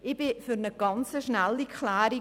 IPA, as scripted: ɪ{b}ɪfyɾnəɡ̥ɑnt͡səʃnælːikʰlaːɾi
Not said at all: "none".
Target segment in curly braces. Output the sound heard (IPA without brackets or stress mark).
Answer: b